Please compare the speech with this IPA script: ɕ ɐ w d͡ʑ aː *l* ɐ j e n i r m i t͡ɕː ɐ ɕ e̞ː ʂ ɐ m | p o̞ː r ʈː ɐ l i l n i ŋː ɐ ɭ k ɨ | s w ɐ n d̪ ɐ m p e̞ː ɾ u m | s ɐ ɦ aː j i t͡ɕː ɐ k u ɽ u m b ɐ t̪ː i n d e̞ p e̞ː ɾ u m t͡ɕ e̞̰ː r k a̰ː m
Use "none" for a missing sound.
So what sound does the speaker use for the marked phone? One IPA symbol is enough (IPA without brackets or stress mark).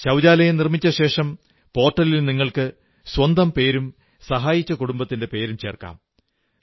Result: l